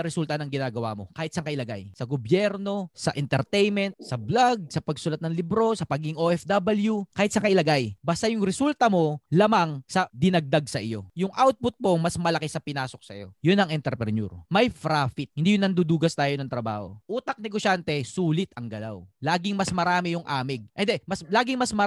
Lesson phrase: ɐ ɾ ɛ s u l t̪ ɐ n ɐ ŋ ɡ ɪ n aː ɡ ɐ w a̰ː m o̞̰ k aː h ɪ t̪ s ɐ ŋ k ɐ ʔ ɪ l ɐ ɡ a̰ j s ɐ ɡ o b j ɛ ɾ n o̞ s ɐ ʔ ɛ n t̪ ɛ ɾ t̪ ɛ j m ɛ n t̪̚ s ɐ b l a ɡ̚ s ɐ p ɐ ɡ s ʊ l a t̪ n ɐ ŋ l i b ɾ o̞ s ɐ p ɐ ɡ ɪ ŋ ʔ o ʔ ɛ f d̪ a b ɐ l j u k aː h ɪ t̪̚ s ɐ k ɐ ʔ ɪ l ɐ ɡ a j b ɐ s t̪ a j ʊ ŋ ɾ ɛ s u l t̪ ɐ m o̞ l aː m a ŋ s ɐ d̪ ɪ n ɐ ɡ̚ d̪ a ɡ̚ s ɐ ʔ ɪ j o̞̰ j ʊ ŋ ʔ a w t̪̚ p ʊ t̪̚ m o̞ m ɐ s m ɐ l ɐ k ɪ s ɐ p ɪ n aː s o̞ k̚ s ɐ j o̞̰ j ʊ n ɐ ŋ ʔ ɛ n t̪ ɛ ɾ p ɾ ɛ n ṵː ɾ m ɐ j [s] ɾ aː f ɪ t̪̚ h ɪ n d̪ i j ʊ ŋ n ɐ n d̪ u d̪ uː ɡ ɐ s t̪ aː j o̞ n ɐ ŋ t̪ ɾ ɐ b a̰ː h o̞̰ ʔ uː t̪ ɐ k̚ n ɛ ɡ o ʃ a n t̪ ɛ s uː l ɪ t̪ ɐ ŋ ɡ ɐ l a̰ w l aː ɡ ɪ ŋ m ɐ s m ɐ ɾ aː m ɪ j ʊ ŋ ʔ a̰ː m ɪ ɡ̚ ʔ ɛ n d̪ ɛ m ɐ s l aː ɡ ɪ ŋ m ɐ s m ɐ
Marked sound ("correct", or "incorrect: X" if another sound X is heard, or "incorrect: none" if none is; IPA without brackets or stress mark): incorrect: f